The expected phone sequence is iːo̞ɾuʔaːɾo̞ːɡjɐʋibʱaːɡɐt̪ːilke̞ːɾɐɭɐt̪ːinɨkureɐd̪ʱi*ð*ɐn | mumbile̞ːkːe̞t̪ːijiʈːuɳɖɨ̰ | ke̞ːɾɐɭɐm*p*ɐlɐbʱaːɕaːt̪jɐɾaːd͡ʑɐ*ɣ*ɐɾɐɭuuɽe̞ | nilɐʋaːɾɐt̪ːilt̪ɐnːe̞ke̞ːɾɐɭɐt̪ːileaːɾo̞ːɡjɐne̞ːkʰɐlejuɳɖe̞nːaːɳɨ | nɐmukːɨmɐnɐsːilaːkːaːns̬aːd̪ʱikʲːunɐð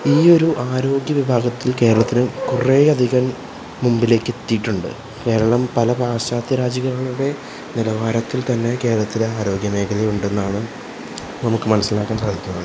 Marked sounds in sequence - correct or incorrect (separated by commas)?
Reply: incorrect, correct, correct